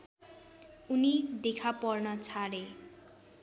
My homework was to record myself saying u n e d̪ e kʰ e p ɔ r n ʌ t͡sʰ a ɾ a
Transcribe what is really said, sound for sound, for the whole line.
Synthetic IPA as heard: u n i d̪ e kʰ a p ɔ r n ʌ t͡sʰ a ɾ e

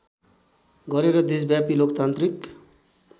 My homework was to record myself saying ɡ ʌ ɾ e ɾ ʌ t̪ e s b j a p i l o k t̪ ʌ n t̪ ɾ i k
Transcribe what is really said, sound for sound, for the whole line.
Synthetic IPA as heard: ɡ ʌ ɾ e ɾ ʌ d̪ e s b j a p i l o k t̪ a n t̪ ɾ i k

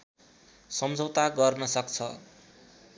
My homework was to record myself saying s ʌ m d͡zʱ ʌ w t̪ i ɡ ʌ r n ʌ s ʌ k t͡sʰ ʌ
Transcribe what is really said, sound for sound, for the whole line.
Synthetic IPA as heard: s ʌ m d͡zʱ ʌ w t̪ a ɡ ʌ r n ʌ s ʌ k t͡sʰ ʌ

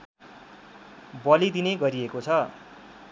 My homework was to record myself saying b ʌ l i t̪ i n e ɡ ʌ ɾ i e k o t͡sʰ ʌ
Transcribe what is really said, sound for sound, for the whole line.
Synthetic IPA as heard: b ʌ l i d̪ i n e ɡ ʌ ɾ i e k o t͡sʰ ʌ

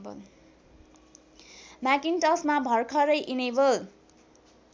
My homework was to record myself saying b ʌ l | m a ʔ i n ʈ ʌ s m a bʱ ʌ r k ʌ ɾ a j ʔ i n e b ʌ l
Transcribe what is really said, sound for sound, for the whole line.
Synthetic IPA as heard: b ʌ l | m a k i n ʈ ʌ s m a bʱ ʌ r kʰ ʌ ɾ ʌ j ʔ i n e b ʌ l

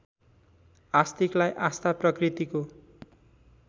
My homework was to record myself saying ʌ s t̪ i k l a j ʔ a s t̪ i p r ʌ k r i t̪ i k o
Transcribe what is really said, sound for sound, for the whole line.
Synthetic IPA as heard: a s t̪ i k l a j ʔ a s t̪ a p r ʌ k r i t̪ i k o

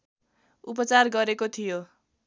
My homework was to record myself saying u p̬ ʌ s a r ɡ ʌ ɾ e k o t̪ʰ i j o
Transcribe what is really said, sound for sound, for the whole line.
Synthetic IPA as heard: u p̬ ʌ t͡s a r ɡ ʌ ɾ e k o t̪ʰ i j o

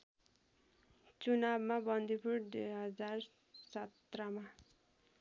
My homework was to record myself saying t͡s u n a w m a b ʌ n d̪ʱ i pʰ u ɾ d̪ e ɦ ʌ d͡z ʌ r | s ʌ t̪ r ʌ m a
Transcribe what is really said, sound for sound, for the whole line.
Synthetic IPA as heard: t͡s u n a b m a b ʌ n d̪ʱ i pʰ u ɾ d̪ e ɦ ʌ d͡z a r | s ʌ t̪ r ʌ m a

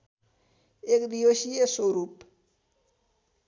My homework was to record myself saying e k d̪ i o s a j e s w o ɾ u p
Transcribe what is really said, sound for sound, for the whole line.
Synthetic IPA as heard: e k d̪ i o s i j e s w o ɾ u p

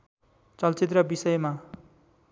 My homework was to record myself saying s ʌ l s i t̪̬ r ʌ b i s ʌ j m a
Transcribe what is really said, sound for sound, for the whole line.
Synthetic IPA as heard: t͡s ʌ l t͡s i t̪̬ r ʌ b i s ʌ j m a

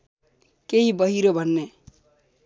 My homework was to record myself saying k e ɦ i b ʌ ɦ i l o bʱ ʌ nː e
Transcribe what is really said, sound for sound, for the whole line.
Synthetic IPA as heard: k e ɦ i b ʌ ɦ i ɾ o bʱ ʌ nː e

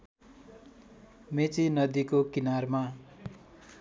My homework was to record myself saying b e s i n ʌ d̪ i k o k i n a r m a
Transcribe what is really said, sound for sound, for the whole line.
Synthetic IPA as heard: m e t͡s i n ʌ d̪ i k o k i n a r m a

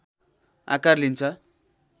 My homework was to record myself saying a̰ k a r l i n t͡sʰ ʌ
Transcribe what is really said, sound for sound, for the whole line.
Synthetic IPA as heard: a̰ k a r l i n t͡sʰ ʌ

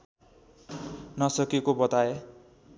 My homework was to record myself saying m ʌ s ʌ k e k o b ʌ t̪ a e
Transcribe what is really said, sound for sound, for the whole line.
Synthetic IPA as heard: n ʌ s ʌ k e k o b ʌ t̪ a e

